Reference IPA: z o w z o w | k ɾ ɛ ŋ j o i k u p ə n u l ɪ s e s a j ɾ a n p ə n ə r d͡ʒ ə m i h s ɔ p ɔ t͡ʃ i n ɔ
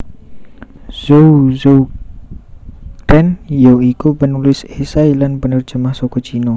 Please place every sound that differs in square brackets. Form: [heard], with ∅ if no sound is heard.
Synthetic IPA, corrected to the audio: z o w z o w | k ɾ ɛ [n] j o i k u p ə n u l ɪ s e s a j [l] a n p ə n ə r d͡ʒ ə m [a] h s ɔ [k] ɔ t͡ʃ i n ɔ